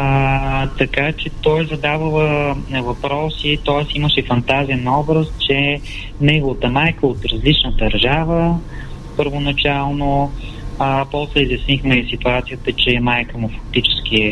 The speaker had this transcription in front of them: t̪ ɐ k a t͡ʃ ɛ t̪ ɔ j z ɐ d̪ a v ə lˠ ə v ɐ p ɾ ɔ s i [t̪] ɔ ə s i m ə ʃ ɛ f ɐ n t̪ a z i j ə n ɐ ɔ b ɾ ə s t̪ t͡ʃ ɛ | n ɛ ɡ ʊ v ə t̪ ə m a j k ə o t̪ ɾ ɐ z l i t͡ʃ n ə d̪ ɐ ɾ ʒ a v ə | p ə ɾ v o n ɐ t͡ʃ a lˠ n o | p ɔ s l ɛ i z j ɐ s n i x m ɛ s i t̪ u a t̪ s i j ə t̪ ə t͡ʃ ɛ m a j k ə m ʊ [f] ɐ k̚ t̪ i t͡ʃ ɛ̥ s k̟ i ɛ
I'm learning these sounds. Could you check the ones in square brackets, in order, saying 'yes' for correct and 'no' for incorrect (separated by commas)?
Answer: yes, yes